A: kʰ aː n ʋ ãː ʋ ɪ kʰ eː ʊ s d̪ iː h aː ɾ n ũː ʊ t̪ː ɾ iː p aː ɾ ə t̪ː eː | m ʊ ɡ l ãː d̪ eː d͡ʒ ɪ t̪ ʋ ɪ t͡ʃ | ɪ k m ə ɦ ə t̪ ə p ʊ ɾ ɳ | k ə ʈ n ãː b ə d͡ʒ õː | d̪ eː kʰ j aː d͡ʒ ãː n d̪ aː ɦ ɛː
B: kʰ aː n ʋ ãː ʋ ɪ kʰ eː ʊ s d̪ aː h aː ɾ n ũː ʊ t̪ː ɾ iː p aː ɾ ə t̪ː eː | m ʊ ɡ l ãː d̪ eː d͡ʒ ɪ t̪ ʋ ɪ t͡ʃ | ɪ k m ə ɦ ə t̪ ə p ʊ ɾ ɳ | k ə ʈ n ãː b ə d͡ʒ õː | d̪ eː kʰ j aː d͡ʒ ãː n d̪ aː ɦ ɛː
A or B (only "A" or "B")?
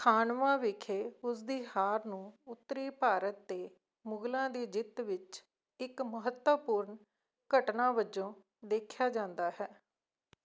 A